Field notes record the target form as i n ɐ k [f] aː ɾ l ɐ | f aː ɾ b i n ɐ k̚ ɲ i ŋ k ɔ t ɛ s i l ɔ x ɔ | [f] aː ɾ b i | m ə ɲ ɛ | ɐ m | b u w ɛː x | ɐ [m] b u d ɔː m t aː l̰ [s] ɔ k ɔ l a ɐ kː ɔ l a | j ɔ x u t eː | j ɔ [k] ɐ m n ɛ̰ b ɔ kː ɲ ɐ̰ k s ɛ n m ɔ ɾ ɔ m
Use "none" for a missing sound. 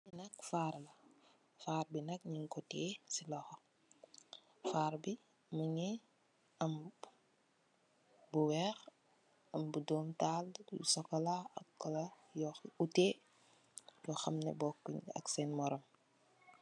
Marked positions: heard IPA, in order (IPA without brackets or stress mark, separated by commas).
f, f, m, s, x